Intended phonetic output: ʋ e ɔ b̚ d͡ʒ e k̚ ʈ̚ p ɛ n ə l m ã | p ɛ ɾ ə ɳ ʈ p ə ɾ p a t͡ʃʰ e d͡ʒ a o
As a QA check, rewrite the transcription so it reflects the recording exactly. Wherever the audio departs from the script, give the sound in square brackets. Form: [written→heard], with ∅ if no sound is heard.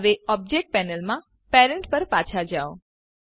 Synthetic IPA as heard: ʋ e ɔ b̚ d͡ʒ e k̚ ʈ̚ p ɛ n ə l m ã | p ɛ ɾ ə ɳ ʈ p ə ɾ p a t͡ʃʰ [e→a] d͡ʒ a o